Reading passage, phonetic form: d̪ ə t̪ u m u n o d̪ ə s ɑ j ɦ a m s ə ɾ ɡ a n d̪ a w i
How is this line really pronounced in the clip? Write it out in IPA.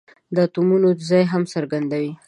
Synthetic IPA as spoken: d̪ ə t̪ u m u n o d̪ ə z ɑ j ɦ a m s ə ɾ ɡ a n d̪ a w i